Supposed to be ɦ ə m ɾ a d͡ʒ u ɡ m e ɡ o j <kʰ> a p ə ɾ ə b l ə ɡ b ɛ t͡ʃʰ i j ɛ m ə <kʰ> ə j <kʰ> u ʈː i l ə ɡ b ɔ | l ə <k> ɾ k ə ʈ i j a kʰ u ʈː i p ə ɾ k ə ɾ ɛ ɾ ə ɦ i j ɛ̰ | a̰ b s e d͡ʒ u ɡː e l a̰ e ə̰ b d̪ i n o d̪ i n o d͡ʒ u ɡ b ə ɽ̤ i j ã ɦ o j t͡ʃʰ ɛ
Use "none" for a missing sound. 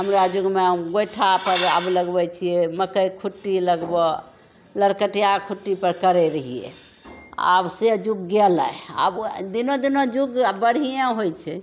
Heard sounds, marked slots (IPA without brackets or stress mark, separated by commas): ʈʰ, k, kʰ, none